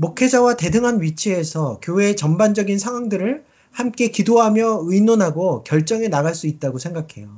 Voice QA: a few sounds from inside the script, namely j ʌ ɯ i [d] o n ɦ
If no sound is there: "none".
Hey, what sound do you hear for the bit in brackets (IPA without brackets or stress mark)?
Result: n